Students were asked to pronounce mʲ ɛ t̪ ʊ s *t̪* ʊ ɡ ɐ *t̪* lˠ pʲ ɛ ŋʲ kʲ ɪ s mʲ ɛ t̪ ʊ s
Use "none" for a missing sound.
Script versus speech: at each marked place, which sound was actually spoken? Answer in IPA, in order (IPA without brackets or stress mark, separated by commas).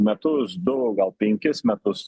d̪, none